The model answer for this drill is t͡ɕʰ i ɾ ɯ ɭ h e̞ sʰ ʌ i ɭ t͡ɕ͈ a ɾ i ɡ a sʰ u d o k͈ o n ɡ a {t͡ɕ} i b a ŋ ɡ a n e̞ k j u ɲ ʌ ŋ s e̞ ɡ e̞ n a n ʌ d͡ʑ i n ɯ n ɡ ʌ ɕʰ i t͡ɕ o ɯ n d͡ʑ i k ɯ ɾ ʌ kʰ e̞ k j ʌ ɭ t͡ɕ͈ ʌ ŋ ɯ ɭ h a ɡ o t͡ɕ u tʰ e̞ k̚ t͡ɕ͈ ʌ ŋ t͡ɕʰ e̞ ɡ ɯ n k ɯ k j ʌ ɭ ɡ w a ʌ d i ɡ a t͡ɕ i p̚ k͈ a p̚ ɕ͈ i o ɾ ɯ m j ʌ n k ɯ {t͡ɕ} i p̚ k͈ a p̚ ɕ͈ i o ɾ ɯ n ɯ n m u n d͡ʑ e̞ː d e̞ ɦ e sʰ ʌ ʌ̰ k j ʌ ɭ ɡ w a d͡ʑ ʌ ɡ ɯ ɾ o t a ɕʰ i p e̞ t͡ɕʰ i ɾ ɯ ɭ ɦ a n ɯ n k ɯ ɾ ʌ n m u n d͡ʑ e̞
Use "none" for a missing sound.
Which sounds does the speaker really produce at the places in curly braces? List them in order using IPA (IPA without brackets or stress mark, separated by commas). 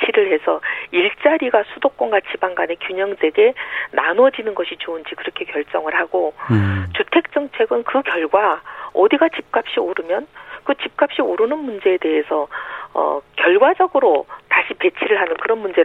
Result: t͡ɕʰ, t͡ɕ